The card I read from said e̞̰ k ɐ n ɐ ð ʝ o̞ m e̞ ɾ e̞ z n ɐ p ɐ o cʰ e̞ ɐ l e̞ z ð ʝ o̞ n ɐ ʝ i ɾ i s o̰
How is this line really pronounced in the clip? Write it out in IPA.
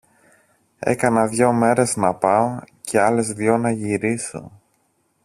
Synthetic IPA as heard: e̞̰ k ɐ n ɐ ð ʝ o̞ m e̞ ɾ e̞ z n ɐ p ɐ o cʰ e̞ ɐ l e̞ z ð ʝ o̞ n ɐ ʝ i ɾ i s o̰